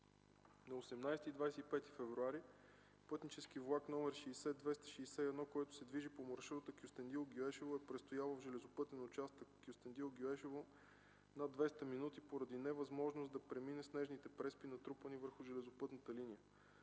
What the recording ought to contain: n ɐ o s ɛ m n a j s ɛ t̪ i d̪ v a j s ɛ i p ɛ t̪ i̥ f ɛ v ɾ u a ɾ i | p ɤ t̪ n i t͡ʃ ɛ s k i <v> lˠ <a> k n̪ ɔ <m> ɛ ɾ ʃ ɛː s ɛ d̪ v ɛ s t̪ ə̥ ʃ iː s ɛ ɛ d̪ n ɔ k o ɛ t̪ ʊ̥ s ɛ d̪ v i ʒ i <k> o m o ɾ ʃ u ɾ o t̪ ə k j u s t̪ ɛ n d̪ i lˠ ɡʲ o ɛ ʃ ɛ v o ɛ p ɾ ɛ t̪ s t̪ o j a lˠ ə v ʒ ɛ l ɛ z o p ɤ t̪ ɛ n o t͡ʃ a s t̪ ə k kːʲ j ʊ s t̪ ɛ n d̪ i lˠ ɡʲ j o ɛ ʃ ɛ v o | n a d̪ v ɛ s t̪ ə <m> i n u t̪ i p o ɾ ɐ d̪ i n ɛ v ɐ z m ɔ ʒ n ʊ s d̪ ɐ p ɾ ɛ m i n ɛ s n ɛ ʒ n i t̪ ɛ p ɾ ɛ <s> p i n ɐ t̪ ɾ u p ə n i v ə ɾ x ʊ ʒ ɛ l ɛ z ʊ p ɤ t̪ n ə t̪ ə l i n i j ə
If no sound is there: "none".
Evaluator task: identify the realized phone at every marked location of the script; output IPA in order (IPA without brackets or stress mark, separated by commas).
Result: v, a, m, p, m, s